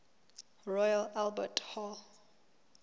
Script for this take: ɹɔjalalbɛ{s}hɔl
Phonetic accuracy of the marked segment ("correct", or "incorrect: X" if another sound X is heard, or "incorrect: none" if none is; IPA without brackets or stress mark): incorrect: t